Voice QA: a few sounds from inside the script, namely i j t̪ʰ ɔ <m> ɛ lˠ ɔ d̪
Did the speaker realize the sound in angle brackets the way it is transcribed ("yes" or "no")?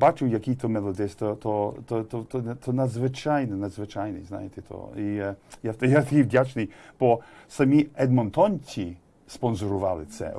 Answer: yes